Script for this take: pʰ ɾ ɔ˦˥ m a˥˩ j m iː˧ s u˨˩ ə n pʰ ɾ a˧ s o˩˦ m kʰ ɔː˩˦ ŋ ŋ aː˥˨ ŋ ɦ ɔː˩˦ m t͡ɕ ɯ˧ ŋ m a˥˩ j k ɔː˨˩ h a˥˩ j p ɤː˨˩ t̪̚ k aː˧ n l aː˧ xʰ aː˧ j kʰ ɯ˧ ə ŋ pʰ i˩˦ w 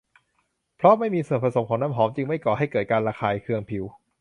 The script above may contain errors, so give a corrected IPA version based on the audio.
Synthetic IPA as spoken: pʰ ɾ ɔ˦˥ m a˥˩ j m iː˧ s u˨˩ ə n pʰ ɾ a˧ s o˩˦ m kʰ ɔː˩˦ ŋ n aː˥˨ m ɦ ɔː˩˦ m t͡ɕ ɯ˧ ŋ m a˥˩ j k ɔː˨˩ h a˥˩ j k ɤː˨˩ t̪̚ k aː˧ n ɾ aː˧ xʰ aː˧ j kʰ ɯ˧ ə ŋ pʰ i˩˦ w